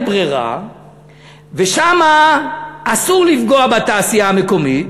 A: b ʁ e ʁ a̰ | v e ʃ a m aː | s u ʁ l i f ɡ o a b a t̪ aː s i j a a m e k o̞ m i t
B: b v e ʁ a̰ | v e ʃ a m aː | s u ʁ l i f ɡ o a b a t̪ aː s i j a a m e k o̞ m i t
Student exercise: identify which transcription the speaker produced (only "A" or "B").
A